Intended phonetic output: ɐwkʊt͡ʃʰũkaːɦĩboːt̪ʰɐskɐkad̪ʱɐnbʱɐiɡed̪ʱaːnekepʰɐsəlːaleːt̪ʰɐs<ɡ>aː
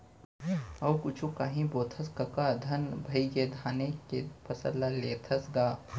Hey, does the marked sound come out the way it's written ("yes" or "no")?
yes